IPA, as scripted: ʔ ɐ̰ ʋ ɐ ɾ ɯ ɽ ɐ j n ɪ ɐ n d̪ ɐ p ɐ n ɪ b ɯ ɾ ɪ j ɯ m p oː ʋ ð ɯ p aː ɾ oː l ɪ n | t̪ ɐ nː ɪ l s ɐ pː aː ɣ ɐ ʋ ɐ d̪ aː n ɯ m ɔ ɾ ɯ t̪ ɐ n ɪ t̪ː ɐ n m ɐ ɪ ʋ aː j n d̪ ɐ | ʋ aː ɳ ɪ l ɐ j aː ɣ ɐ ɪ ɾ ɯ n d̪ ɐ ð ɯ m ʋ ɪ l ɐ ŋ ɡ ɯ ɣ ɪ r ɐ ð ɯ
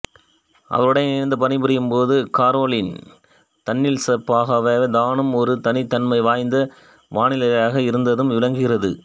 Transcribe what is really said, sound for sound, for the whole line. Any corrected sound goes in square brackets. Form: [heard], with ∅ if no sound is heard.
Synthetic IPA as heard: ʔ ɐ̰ ʋ ɐ ɾ ɯ ɽ ɐ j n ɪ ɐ n d̪ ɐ p ɐ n ɪ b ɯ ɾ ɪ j ɯ m p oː [∅] ð ɯ [k] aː ɾ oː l ɪ n | t̪ ɐ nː ɪ l s ɐ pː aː ɣ ɐ ʋ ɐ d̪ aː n ɯ m ɔ ɾ ɯ t̪ ɐ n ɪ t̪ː ɐ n m ɐ ɪ ʋ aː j n d̪ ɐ | ʋ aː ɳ ɪ l ɐ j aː ɣ ɐ ɪ ɾ ɯ n d̪ ɐ ð ɯ m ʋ ɪ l ɐ ŋ ɡ ɯ ɣ ɪ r ɐ ð ɯ